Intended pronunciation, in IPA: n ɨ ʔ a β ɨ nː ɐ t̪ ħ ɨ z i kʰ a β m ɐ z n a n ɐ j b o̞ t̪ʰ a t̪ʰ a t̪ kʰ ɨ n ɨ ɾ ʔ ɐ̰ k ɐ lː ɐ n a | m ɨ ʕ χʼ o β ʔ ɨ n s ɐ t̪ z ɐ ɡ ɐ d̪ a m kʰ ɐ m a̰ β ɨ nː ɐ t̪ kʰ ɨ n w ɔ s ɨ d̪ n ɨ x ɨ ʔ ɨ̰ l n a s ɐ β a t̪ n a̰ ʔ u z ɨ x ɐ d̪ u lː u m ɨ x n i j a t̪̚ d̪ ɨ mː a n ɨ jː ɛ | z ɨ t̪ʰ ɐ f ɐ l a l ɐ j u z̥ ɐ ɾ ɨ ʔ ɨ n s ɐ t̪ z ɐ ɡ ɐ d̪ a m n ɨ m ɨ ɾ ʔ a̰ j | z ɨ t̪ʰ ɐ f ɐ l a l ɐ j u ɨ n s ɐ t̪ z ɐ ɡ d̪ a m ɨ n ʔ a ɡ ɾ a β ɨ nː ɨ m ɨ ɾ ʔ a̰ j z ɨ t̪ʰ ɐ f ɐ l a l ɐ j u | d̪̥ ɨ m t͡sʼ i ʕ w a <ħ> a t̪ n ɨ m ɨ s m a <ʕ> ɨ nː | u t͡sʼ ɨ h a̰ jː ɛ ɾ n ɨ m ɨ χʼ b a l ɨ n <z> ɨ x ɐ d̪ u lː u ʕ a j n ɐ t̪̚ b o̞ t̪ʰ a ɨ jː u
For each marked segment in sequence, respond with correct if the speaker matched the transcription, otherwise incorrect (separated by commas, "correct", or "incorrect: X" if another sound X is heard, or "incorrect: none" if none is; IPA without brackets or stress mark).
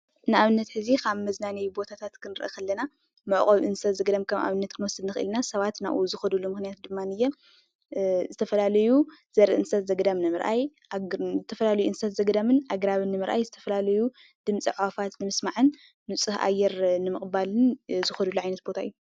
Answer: incorrect: f, correct, correct